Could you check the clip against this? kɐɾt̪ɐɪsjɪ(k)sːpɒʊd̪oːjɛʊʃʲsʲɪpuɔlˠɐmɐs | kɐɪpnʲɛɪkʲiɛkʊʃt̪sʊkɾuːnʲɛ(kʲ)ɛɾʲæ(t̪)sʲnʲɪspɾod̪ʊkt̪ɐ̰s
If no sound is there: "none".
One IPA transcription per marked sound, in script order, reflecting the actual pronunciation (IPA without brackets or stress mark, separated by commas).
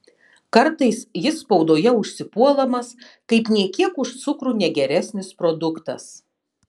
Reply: none, ɡʲ, none